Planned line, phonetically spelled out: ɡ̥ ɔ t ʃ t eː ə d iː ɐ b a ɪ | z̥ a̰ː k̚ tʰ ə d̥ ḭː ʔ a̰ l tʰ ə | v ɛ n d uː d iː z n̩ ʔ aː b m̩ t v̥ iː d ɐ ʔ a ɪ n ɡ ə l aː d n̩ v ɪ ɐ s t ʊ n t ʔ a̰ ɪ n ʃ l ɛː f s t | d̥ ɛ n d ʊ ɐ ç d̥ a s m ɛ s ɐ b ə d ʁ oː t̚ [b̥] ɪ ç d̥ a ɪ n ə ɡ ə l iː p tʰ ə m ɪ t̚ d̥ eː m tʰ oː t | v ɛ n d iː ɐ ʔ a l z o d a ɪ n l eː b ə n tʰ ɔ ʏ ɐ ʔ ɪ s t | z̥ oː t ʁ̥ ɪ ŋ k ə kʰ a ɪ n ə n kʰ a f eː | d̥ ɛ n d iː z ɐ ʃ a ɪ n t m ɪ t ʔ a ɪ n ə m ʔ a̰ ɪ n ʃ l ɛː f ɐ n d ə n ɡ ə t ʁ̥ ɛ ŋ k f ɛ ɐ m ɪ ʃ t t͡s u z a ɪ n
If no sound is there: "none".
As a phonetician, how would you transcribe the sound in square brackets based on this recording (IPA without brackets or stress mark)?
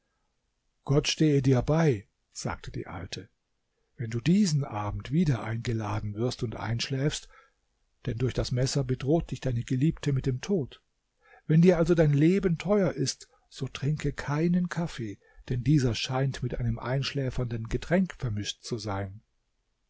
d̥